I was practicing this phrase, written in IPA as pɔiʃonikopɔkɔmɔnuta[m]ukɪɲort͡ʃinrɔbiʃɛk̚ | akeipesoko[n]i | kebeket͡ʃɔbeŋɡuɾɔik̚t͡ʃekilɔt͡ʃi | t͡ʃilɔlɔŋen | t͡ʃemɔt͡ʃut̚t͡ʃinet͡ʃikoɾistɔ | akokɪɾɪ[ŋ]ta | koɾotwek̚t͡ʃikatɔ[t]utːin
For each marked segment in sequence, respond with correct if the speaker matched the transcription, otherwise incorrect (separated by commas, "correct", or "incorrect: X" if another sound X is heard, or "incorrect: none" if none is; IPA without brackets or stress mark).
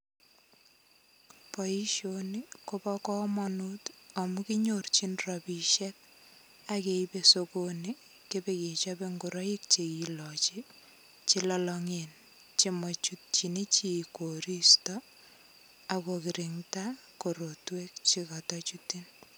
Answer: correct, correct, correct, incorrect: t͡ʃ